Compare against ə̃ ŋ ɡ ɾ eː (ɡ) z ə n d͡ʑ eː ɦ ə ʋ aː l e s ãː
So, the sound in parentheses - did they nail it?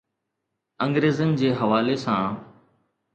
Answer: no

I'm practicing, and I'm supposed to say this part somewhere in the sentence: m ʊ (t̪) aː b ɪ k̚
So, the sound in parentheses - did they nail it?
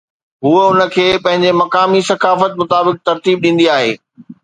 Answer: yes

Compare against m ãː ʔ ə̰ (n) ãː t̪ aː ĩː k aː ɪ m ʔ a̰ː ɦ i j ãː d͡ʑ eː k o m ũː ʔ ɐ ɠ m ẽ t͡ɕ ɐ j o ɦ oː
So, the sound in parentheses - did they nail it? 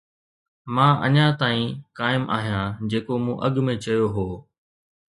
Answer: no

